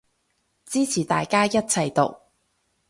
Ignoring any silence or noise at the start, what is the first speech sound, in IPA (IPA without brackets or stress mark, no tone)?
t͡s